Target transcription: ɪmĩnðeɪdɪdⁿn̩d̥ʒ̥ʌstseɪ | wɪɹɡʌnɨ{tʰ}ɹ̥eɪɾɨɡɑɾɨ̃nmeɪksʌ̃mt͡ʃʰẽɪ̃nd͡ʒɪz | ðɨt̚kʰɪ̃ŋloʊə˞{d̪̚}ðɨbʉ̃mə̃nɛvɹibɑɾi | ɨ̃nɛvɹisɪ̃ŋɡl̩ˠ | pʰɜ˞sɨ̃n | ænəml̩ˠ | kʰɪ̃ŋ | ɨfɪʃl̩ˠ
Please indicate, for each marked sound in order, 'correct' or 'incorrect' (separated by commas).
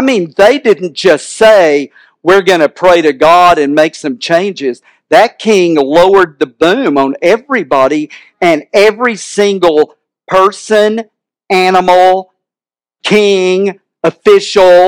incorrect, correct